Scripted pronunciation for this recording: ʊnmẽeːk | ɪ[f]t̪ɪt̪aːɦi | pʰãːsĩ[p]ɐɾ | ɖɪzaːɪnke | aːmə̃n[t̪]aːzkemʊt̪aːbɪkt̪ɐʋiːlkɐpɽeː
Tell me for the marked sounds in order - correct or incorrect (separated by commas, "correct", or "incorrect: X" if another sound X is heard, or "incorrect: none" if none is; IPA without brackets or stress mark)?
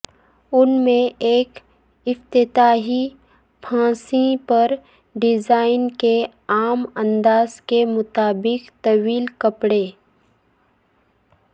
correct, correct, incorrect: d̪